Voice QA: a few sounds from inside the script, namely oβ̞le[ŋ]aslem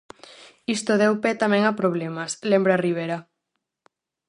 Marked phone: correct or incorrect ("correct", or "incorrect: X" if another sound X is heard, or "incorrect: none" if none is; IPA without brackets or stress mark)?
incorrect: m